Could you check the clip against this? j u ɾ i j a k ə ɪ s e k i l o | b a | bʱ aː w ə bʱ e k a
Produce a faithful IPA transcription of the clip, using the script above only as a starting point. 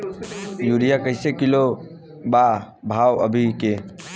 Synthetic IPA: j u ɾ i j a k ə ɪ s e k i l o | b a | bʱ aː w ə bʱ i k e